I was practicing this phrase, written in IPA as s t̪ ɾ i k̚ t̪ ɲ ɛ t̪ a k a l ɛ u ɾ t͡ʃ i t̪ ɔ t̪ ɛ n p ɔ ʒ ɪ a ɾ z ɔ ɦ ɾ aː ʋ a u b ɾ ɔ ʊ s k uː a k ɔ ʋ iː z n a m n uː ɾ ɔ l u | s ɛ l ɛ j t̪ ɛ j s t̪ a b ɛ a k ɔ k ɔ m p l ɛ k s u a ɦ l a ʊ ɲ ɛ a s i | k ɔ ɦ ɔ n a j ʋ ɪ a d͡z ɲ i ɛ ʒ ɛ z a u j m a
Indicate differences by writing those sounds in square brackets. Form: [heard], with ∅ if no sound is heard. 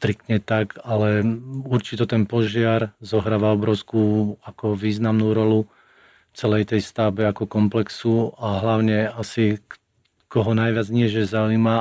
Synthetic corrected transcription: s t̪ ɾ i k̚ t̪ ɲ ɛ t̪ a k a l ɛ u ɾ t͡ʃ i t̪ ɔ t̪ ɛ n p ɔ ʒ ɪ a ɾ z ɔ ɦ ɾ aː ʋ a [ɔ] b ɾ ɔ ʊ s k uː a k ɔ ʋ iː z n a m n uː ɾ ɔ l u | [t͡s] ɛ l ɛ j t̪ ɛ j s t̪ a b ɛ a k ɔ k ɔ m p l ɛ k s u a ɦ l a ʊ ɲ ɛ a s i | k ɔ ɦ ɔ n a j ʋ ɪ a d͡z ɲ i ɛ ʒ ɛ z a u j m a